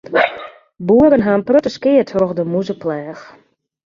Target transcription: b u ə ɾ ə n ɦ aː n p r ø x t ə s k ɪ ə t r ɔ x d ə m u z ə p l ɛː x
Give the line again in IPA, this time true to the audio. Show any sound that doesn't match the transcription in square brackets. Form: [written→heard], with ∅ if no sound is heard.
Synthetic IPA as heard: b u ə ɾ ə n ɦ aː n p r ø [x→∅] t ə s k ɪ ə t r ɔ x d ə m u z ə p l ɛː x